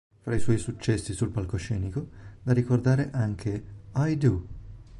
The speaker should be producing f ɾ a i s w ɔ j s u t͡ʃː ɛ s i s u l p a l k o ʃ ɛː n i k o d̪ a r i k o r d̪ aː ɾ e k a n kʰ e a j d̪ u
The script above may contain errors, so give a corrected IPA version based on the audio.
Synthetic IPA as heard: f ɾ a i s w ɔ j s u t͡ʃː ɛ sː i s u l p a l k o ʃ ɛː n i k o d̪ a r i k o r d̪ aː ɾ e ʔ a ŋ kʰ e a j d̪ u